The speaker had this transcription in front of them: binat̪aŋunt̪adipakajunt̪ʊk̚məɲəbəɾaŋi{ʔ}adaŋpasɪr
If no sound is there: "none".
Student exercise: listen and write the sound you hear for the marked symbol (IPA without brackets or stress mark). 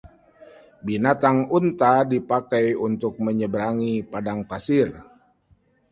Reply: p